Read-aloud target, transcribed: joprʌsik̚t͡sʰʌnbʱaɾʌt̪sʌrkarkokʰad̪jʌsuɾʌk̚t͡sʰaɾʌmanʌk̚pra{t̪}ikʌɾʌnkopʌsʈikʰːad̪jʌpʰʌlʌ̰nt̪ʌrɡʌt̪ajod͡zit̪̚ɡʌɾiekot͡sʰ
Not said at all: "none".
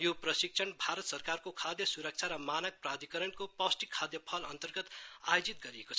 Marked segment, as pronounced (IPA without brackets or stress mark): d̪